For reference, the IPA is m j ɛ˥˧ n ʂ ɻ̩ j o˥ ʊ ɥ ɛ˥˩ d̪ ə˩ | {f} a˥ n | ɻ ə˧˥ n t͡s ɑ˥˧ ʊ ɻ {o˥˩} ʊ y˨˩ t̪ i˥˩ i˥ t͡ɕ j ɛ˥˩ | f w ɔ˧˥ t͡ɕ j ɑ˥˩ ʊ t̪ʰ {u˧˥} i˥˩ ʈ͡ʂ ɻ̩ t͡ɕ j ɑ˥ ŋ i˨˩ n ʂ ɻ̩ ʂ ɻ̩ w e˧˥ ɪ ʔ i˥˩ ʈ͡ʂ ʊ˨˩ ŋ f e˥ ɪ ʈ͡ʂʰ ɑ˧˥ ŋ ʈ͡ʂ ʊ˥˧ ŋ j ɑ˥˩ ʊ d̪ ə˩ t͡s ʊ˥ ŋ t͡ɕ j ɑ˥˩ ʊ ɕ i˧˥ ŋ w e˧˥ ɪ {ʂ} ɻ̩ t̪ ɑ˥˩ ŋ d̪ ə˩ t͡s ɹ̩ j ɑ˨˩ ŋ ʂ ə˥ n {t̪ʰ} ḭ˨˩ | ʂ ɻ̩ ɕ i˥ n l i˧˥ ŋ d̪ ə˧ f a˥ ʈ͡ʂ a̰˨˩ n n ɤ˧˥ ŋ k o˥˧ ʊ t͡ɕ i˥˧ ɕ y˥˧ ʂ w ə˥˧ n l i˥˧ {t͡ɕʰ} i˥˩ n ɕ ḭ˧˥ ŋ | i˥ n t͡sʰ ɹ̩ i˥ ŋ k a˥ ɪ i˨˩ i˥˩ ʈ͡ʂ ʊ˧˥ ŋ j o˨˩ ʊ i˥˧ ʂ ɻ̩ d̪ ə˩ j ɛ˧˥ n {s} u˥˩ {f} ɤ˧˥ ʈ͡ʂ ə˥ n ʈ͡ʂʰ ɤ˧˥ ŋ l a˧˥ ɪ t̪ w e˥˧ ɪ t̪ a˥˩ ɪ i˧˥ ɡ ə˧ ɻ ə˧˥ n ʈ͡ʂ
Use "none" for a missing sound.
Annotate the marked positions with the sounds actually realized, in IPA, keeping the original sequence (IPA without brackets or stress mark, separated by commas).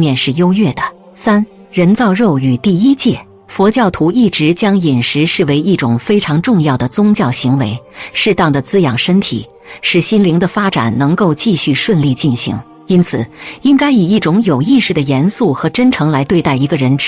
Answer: s, o˥˩, u˧˥, ʂ, t̪ʰ, t͡ɕ, s, x